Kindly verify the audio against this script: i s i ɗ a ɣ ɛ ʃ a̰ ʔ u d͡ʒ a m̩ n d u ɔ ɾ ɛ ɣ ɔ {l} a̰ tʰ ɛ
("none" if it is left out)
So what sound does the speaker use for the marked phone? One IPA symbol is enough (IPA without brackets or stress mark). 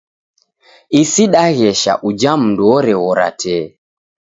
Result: ɾ